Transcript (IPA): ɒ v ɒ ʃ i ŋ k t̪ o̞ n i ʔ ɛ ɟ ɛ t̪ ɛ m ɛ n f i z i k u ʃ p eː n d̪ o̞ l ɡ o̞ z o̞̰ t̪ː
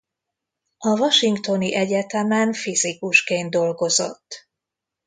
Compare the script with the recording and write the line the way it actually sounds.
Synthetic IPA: ɒ v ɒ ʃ i ŋ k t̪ o̞ n i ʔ ɛ ɟ ɛ t̪ ɛ m ɛ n f i z i k u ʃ k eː n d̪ o̞ l ɡ o̞ z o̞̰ t̪ː